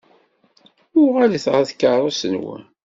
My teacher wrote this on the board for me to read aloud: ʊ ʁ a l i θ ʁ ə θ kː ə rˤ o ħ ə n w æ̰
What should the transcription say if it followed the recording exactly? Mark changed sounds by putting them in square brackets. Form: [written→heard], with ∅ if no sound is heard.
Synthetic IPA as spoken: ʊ ʁ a l i θ ʁ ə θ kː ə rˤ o [ħ→s] ə n w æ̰

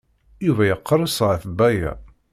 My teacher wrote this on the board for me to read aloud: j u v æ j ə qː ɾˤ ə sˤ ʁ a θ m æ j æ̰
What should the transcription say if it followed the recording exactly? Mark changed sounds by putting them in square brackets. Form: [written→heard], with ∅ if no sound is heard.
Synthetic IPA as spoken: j u v æ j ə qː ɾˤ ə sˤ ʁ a θ [m→b] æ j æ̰

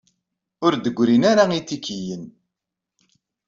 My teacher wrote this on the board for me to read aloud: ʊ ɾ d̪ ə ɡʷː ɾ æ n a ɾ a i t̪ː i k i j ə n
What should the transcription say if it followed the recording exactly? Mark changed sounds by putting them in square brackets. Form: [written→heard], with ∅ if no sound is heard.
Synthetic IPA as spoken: ʊ ɾ d̪ ə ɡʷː ɾ [æ→i] n a ɾ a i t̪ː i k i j ə n

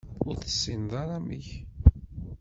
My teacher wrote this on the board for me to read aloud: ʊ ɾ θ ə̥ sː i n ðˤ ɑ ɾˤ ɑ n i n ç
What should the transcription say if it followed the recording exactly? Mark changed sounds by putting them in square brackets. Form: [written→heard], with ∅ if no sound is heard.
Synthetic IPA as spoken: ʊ ɾ θ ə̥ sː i n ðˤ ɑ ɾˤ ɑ [n→m] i [n→∅] ç

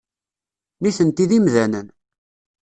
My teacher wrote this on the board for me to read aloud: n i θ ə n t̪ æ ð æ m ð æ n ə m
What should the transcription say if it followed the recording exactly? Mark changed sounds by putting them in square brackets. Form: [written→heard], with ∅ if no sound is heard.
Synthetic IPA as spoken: n i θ ə n t̪ [æ→i] ð [æ→i] m ð æ n ə [m→n]

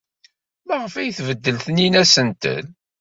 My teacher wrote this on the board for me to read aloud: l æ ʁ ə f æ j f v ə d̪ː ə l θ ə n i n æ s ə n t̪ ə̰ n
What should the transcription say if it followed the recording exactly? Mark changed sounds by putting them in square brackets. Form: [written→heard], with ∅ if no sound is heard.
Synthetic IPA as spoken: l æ ʁ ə f æ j [f→θ] v ə d̪ː ə l θ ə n i n æ s ə n t̪ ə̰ n

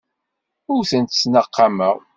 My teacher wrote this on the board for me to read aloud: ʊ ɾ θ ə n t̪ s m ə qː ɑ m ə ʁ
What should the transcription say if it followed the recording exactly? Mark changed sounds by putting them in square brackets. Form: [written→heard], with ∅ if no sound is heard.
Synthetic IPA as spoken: ʊ ɾ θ ə n t̪ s [m→n] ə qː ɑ m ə ʁ

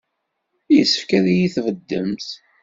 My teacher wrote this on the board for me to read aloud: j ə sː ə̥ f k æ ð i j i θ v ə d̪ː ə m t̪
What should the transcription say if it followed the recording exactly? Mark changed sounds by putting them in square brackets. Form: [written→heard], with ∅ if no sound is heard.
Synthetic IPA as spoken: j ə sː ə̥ f k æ ð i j i θ v ə d̪ː ə m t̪

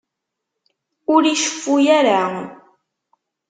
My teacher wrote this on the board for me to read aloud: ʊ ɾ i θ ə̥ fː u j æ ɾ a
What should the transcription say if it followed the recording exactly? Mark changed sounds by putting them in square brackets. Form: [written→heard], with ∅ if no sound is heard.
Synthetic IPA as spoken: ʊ ɾ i [θ→ʃ] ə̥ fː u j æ ɾ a

